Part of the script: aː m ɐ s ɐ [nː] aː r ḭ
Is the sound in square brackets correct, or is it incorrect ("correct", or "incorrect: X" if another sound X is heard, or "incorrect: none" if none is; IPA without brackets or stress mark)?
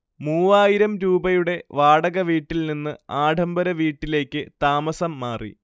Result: incorrect: mː